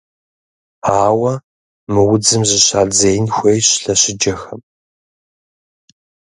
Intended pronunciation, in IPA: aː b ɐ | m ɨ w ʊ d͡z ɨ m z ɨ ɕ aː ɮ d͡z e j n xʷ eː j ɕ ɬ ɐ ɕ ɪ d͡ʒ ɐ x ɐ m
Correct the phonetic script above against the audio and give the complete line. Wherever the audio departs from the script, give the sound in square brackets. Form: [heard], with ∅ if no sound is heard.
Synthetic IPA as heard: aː [w] ɐ | m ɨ w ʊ d͡z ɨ m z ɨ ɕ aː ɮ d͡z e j n xʷ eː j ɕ ɬ ɐ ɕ ɪ d͡ʒ ɐ x ɐ m